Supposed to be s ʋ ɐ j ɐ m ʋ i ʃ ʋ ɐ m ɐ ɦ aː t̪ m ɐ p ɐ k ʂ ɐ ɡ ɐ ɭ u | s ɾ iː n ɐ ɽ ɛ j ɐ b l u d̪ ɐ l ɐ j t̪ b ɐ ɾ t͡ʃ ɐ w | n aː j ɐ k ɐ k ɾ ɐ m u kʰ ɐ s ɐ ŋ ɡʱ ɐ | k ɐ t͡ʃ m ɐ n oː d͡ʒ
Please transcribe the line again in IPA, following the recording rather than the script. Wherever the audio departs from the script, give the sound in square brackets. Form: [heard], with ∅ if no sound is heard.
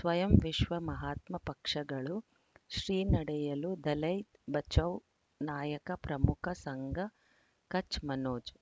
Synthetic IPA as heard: s ʋ ɐ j ɐ m ʋ i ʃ ʋ ɐ m ɐ ɦ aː t̪ m ɐ p ɐ k ʂ ɐ ɡ ɐ ɭ u | [ʃ] ɾ iː n ɐ ɽ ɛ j ɐ [∅] l u d̪ ɐ l ɐ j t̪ b ɐ [∅] t͡ʃ ɐ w | n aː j ɐ k ɐ [p] ɾ ɐ m u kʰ ɐ s ɐ ŋ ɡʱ ɐ | k ɐ t͡ʃ m ɐ n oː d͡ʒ

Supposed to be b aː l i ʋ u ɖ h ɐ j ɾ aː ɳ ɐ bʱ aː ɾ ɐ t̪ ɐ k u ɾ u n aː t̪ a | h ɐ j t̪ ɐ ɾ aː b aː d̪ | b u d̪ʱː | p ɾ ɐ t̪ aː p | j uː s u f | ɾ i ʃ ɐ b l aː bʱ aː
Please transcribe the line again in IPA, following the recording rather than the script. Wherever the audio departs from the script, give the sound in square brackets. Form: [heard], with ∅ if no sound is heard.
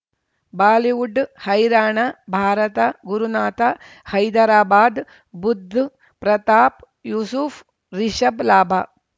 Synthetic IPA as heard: b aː l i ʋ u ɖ h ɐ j ɾ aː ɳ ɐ bʱ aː ɾ ɐ t̪ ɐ [ɡ] u ɾ u n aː t̪ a | h ɐ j [d̪] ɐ ɾ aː b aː d̪ | b u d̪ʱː | p ɾ ɐ t̪ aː p | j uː s u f | ɾ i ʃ ɐ b l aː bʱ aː

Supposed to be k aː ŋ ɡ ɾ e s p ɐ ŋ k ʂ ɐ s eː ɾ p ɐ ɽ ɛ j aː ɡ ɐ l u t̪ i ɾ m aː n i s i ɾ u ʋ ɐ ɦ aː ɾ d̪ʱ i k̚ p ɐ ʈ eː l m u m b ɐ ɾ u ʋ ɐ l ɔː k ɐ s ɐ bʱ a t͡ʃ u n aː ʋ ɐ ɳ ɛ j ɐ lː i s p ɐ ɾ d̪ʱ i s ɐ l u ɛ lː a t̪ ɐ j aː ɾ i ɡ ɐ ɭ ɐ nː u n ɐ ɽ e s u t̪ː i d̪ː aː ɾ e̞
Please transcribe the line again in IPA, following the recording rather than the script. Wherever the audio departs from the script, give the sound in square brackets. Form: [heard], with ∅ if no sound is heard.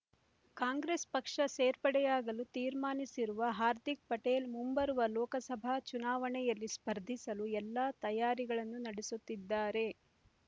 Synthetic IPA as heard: k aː ŋ ɡ ɾ e s p ɐ [∅] k ʂ ɐ s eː ɾ p ɐ ɽ ɛ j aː ɡ ɐ l u t̪ [iː] ɾ m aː n i s i ɾ u ʋ ɐ ɦ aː ɾ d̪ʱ i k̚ p ɐ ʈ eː l m u m b ɐ ɾ u ʋ ɐ l ɔː k ɐ s ɐ bʱ a t͡ʃ u n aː ʋ ɐ ɳ ɛ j ɐ lː i s p ɐ ɾ d̪ʱ i s ɐ l u ɛ lː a t̪ ɐ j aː ɾ i ɡ ɐ ɭ ɐ nː u n ɐ ɽ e s u t̪ː i d̪ː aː ɾ e̞

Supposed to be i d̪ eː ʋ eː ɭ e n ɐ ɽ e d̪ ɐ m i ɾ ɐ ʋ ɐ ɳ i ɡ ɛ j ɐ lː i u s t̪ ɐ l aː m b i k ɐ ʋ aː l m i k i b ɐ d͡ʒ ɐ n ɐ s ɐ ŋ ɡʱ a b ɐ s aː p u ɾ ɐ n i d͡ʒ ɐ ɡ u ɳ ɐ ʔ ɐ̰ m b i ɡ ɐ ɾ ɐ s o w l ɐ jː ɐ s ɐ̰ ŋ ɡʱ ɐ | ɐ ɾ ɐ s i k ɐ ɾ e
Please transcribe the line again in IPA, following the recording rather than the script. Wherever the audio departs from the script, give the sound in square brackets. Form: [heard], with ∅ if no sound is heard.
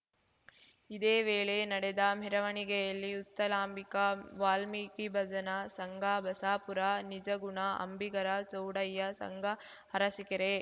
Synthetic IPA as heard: i d̪ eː ʋ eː ɭ e n ɐ ɽ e d̪ ɐ m i ɾ ɐ ʋ ɐ ɳ i ɡ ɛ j ɐ lː i u s t̪ ɐ l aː m b i k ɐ ʋ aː l m i k i b ɐ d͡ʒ ɐ n ɐ s ɐ ŋ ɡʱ a b ɐ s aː p u ɾ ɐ n i d͡ʒ ɐ ɡ u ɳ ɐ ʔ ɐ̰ m b i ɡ ɐ ɾ ɐ s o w [ɽ] ɐ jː ɐ s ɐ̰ ŋ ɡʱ ɐ | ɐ ɾ ɐ s i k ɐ ɾ e

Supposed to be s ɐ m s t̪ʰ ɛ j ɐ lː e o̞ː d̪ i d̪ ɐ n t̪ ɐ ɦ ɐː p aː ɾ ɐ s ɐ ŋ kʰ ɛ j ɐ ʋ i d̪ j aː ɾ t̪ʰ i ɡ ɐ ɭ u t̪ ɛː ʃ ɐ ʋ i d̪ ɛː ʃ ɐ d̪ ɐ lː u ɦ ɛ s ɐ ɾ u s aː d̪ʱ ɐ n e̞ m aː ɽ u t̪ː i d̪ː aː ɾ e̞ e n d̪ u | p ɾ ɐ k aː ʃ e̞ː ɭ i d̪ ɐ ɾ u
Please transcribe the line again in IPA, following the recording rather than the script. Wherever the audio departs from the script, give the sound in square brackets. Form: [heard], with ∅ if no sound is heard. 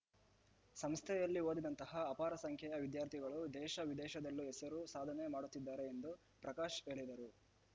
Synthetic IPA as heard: s ɐ m s t̪ʰ ɛ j ɐ lː [i] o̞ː d̪ i d̪ ɐ n t̪ ɐ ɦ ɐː p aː ɾ ɐ s ɐ ŋ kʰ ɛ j ɐ ʋ i d̪ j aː ɾ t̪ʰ i ɡ ɐ ɭ u [d̪] ɛː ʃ ɐ ʋ i d̪ ɛː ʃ ɐ d̪ ɐ lː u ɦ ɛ s ɐ ɾ u s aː d̪ʱ ɐ n e̞ m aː ɽ u t̪ː i d̪ː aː ɾ e̞ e n d̪ u | p ɾ ɐ k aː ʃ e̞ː ɭ i d̪ ɐ ɾ u

